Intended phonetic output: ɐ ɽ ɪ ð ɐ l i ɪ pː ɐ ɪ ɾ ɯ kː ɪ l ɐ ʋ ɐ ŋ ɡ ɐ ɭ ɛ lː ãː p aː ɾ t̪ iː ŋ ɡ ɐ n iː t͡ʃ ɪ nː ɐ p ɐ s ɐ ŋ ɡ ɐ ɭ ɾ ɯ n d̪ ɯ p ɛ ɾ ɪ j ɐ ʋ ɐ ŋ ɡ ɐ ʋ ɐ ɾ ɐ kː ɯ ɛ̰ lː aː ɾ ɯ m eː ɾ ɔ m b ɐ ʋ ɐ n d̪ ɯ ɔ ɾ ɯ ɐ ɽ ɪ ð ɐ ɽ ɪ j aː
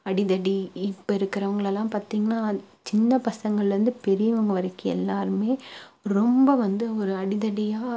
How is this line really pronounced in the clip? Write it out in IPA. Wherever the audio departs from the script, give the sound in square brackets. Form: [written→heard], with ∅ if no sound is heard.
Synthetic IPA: ɐ ɽ ɪ ð ɐ [l→ɽ] i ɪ pː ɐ ɪ ɾ ɯ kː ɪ [l→ɾ] ɐ ʋ ɐ ŋ ɡ ɐ ɭ ɛ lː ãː p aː ɾ t̪ iː ŋ ɡ ɐ n [iː→aː] t͡ʃ ɪ nː ɐ p ɐ s ɐ ŋ ɡ ɐ ɭ ɾ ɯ n d̪ ɯ p ɛ ɾ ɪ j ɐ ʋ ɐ ŋ ɡ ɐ ʋ ɐ ɾ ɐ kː ɯ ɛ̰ lː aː ɾ ɯ m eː ɾ ɔ m b ɐ ʋ ɐ n d̪ ɯ ɔ ɾ ɯ ɐ ɽ ɪ ð ɐ ɽ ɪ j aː